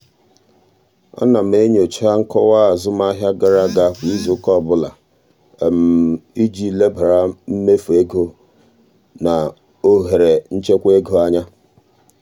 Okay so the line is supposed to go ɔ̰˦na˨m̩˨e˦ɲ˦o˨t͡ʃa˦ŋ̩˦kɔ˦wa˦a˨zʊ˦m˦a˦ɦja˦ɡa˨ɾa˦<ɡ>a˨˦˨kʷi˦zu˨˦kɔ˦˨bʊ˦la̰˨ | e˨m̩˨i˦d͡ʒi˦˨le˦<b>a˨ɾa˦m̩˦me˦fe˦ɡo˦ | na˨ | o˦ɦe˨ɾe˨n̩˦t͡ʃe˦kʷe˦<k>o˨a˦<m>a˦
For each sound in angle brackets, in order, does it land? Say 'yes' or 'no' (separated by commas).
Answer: yes, yes, no, no